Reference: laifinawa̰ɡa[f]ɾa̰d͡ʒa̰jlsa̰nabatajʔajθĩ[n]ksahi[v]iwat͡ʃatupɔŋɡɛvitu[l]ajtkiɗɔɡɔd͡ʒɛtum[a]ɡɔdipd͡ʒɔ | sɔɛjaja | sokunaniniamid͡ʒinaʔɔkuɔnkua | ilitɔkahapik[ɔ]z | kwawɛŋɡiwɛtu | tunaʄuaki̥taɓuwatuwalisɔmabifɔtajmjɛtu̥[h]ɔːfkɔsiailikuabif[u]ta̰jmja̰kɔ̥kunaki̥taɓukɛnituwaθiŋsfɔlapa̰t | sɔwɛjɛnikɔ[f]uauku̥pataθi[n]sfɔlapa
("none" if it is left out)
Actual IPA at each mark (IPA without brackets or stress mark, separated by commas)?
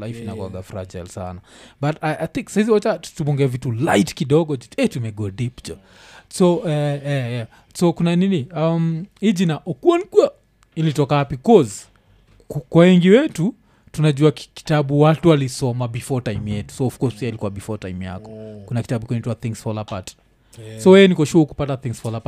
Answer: f, ŋ, z, l, ɛ, ɔ, s, ɔ, ʃ, ŋ